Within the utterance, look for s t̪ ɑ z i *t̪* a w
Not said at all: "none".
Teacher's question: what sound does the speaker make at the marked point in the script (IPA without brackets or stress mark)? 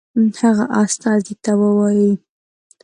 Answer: t̪